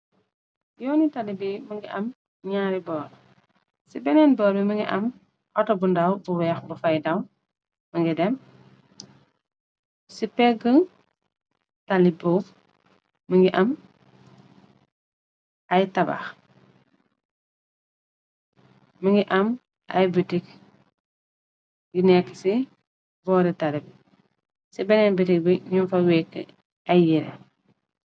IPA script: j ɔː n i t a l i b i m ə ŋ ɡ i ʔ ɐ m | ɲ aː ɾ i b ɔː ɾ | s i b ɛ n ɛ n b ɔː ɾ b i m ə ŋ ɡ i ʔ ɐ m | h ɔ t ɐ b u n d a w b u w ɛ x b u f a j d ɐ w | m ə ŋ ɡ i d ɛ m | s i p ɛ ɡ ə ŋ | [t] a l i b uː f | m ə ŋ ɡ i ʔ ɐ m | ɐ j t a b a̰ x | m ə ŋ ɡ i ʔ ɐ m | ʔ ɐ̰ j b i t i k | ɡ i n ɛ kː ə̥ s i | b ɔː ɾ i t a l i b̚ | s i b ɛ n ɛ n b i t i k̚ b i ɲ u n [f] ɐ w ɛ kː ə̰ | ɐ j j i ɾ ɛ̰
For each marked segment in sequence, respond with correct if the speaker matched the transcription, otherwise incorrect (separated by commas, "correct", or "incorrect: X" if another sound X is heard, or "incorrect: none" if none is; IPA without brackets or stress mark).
correct, correct